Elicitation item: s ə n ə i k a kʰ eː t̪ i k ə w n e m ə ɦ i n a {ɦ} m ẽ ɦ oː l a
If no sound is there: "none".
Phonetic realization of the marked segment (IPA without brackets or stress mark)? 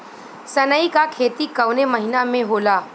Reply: none